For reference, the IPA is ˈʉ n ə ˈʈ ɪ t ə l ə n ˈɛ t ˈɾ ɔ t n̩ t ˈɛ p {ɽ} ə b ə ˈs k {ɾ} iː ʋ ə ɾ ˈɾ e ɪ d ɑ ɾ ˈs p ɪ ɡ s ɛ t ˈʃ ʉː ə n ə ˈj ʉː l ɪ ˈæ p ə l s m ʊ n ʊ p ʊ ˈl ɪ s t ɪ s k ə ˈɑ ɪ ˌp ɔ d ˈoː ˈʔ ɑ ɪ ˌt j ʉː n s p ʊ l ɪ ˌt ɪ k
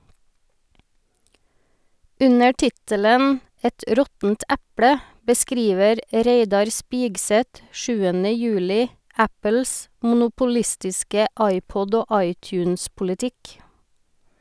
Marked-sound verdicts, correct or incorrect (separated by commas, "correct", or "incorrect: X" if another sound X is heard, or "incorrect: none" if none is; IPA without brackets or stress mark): correct, correct